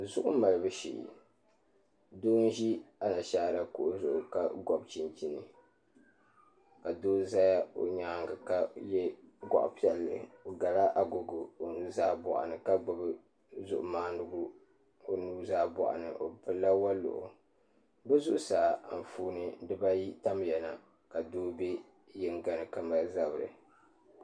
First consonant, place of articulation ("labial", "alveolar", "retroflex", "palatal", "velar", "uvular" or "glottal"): alveolar